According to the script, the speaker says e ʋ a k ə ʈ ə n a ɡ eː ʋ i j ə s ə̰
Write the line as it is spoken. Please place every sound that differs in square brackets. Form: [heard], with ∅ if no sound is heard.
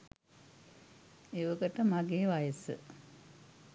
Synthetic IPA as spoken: e ʋ [ə] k ə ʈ ə [m] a ɡ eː ʋ [a] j ə s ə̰